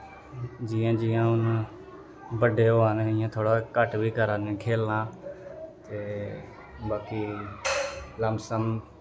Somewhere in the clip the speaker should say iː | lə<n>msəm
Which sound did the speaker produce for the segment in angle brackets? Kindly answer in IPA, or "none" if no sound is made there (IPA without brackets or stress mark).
none